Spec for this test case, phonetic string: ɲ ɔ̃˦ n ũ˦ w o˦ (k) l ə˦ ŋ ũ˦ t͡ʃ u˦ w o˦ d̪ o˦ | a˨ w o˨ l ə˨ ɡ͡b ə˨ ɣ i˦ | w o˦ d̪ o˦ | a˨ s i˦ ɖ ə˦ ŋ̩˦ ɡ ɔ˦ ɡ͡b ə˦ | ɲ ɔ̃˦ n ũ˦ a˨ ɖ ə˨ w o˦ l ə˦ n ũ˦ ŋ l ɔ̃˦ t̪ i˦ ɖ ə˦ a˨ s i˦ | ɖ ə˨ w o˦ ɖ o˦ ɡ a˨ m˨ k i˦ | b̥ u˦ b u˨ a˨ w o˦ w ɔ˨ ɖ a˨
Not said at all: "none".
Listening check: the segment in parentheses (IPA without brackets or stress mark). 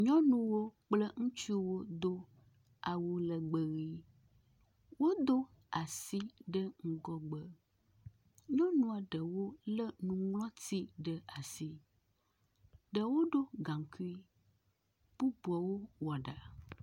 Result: k͡p